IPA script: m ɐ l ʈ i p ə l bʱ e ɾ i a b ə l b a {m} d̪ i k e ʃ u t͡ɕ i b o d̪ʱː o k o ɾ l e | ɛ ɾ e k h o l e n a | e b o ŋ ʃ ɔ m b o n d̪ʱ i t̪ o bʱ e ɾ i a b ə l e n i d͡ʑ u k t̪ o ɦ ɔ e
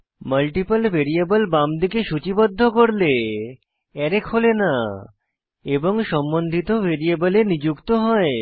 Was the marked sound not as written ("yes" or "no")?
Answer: no